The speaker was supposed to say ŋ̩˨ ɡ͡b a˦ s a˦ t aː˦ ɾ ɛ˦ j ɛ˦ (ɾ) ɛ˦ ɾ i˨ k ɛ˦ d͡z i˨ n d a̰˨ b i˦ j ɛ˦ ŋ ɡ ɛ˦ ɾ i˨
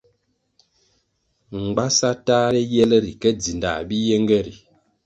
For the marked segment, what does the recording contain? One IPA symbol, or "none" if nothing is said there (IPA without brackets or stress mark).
l